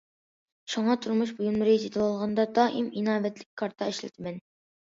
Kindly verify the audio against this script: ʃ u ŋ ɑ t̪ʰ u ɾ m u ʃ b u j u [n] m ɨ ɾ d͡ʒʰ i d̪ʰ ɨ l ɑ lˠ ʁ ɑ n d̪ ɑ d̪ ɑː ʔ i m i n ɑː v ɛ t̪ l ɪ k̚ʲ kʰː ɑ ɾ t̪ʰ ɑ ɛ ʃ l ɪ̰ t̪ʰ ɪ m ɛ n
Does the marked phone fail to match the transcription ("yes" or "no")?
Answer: no